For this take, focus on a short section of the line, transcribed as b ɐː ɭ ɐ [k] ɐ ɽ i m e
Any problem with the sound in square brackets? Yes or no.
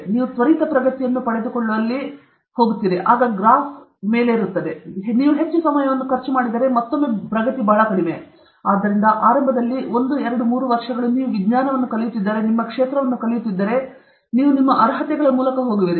no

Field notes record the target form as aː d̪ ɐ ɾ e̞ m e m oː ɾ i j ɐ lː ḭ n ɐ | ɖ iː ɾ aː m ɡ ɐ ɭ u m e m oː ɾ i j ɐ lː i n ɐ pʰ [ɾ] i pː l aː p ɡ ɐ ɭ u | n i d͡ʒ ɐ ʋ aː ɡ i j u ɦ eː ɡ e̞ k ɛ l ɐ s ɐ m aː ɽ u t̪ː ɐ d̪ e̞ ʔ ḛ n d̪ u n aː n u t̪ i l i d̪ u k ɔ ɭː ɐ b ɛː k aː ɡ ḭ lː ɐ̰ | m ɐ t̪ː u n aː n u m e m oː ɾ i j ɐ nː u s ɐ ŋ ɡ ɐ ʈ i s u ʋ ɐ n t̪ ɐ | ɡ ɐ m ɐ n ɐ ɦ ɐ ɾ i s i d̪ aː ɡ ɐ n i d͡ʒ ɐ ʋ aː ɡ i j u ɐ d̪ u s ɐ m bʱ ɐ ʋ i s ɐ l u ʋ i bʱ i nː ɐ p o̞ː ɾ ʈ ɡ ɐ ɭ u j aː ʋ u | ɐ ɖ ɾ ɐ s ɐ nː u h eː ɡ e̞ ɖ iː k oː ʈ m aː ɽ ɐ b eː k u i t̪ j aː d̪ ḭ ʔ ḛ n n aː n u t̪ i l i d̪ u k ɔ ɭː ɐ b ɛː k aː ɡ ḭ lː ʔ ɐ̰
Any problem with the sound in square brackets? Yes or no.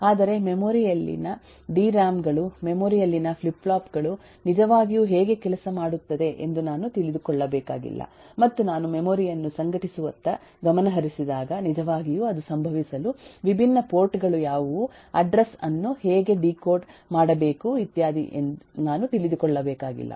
yes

